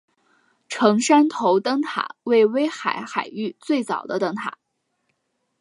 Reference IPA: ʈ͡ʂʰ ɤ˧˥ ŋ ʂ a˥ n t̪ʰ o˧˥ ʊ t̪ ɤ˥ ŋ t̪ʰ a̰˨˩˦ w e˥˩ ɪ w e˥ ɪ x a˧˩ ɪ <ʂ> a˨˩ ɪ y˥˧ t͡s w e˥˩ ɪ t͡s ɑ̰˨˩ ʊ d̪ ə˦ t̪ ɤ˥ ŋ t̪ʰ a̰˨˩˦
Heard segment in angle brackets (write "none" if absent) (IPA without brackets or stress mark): x